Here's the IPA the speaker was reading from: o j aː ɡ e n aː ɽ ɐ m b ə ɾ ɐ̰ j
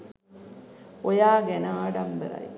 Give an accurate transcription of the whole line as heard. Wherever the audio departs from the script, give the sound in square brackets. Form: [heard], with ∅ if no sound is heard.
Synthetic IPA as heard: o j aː ɡ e n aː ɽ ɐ m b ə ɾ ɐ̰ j